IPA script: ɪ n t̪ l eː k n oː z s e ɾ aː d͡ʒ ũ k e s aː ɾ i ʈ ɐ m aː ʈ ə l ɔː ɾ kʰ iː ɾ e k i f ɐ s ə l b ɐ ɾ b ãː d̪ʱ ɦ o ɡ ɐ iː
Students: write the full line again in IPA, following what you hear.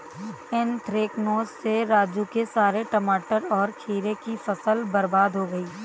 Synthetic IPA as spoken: ɪ n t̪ ɾ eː k n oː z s e ɾ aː d͡ʒ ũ k e s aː ɾ e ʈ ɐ m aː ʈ ə ɾ ɔː ɾ kʰ iː ɾ e k i f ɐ s ə l b ɐ ɾ b aː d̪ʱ ɦ o ɡ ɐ iː